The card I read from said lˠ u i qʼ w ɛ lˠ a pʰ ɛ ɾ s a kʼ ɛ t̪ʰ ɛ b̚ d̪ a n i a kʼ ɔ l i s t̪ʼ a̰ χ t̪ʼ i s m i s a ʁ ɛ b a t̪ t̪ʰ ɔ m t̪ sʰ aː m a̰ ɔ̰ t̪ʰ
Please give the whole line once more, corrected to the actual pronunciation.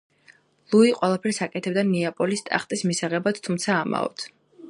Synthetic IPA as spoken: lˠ u i qʼ w ɛ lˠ a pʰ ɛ ɾ s a kʼ ɛ t̪ʰ ɛ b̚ d̪ a n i a pʼ ɔ l i s t̪ʼ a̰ χ t̪ʼ i s m i s a ʁ ɛ b a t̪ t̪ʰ u m t̪ sʰ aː m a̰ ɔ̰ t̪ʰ